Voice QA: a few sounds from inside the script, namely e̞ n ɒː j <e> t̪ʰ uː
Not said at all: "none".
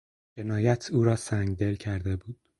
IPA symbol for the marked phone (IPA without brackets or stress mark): æ